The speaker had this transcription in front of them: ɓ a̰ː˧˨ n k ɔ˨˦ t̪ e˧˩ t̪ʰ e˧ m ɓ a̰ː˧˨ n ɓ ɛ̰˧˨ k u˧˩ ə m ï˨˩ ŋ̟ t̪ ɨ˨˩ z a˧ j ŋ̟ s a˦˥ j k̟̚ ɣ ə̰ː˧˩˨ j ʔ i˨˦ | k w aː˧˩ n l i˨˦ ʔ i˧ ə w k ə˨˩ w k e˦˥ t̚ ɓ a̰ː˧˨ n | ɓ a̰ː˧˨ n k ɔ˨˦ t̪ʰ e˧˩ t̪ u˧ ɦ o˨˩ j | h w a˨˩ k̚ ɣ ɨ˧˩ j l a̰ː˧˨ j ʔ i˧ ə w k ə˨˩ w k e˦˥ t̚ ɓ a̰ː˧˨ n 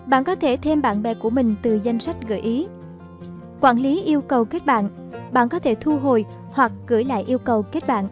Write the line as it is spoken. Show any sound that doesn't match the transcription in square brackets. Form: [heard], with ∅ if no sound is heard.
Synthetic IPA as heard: ɓ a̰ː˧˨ n k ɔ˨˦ [t̪ʰ] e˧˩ t̪ʰ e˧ m ɓ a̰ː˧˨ n ɓ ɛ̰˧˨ k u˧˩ ə m ï˨˩ ŋ̟ t̪ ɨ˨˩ z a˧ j ŋ̟ s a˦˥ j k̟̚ ɣ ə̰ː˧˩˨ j ʔ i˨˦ | k w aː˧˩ n l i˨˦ ʔ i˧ ə w k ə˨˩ w k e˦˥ t̚ ɓ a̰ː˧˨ n | ɓ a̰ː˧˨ n k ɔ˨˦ t̪ʰ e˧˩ [t̪ʰ] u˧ ɦ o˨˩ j | h w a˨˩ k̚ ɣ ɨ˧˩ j l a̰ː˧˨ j ʔ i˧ ə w k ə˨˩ w k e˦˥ t̚ ɓ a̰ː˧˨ n

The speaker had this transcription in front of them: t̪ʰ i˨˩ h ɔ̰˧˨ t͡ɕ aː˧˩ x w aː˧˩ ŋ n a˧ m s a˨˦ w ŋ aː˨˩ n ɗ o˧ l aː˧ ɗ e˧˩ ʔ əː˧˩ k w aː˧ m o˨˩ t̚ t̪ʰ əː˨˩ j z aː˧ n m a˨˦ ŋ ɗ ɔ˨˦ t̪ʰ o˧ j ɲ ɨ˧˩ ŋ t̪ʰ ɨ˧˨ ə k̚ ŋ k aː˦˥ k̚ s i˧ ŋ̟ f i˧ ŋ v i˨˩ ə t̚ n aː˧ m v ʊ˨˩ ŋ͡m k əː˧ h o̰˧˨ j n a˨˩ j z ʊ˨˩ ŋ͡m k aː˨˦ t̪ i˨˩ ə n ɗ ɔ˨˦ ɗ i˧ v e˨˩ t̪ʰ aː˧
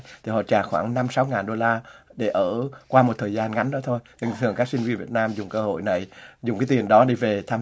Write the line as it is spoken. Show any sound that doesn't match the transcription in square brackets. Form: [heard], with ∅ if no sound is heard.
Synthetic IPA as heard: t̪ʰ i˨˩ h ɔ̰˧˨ t͡ɕ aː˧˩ x w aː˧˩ ŋ n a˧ m s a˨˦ w ŋ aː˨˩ n ɗ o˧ l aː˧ ɗ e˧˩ ʔ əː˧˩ k w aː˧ m o˨˩ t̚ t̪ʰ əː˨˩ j z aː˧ n [ŋ] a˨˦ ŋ ɗ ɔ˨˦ t̪ʰ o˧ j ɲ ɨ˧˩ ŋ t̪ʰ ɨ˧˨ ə [∅] ŋ k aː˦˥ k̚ s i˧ ŋ̟ [v] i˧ [n] v i˨˩ ə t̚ n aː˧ m [z] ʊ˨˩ ŋ͡m k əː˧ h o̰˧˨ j n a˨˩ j z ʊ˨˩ ŋ͡m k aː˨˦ t̪ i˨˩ ə n ɗ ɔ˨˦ ɗ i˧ v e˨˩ t̪ʰ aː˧

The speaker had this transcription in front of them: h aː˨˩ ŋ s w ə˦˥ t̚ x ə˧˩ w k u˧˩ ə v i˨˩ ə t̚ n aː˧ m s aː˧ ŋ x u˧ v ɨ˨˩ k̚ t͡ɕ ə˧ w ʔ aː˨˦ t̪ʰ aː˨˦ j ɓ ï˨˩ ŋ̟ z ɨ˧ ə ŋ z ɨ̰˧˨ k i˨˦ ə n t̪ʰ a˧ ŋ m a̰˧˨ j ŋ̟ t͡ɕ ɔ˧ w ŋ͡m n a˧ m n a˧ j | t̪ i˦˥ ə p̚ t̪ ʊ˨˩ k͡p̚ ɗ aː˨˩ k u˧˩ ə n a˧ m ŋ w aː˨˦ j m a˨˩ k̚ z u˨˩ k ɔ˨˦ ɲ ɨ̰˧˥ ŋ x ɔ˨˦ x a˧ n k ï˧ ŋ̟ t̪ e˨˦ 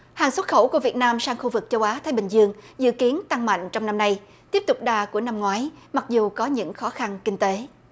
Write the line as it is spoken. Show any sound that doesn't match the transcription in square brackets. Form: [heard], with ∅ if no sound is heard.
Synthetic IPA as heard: h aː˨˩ ŋ s w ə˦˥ t̚ x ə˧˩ w k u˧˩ ə v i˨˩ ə t̚ n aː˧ m s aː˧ ŋ x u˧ v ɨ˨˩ k̚ t͡ɕ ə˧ w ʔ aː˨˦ t̪ʰ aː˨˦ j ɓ ï˨˩ ŋ̟ z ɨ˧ ə ŋ z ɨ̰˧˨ k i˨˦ ə n [t̪] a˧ ŋ m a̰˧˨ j ŋ̟ t͡ɕ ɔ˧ w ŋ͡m n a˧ m n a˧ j | t̪ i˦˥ ə p̚ t̪ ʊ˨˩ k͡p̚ ɗ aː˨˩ k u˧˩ ə n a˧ m ŋ w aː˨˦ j m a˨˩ k̚ z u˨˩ k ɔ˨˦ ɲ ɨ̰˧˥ ŋ x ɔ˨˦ x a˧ n k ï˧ ŋ̟ t̪ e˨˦

